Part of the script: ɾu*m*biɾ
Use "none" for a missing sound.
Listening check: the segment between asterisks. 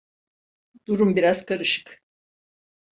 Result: m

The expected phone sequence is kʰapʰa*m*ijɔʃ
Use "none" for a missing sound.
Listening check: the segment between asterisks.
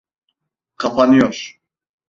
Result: n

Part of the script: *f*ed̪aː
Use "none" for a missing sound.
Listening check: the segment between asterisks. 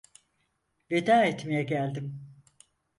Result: v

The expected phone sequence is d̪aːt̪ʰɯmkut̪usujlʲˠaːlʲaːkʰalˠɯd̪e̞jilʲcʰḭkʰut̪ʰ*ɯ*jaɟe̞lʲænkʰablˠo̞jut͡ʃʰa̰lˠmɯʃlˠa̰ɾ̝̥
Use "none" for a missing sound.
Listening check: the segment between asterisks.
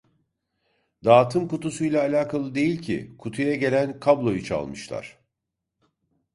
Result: u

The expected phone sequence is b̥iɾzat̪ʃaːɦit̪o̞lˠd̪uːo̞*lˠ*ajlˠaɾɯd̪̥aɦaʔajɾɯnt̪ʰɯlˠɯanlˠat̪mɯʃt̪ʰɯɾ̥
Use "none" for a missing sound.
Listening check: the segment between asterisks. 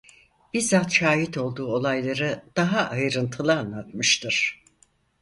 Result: lˠ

